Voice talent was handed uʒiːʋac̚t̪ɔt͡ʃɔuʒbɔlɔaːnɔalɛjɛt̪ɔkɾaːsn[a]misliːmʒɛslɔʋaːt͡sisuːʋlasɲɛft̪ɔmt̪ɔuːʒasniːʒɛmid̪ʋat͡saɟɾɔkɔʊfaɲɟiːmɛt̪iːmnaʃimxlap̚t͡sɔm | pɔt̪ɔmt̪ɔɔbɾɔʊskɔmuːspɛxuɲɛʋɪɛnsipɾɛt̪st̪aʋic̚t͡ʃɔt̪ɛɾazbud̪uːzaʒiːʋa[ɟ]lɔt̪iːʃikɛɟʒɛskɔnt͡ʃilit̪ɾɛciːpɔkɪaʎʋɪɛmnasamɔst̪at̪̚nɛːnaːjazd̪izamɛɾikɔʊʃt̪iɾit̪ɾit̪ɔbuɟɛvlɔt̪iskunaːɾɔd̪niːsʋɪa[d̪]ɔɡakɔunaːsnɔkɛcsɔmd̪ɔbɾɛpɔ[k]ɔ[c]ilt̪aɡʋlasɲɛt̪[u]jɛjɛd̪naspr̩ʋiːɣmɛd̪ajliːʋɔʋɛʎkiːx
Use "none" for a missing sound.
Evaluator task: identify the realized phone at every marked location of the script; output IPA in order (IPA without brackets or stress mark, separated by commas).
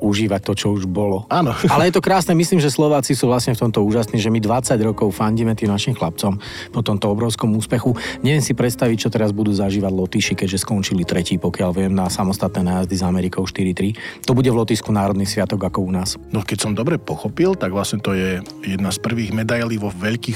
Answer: ɛ, ɟ, t̪, x, p, ɔ